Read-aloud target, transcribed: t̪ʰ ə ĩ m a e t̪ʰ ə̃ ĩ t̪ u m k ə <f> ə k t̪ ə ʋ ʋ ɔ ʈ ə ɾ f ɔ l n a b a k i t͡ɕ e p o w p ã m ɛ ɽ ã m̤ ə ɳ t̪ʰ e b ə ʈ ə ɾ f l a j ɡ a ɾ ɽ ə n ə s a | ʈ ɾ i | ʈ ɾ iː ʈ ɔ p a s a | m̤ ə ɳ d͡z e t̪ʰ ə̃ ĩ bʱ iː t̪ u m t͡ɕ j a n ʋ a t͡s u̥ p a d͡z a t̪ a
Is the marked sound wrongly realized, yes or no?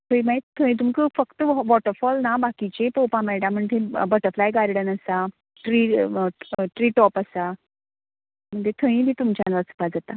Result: no